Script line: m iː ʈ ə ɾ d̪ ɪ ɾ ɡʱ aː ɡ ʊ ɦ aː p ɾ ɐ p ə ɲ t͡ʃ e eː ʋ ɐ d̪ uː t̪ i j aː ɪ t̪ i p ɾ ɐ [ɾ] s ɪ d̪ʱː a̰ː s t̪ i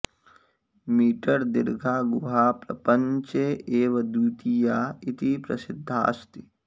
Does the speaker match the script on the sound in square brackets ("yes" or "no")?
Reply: no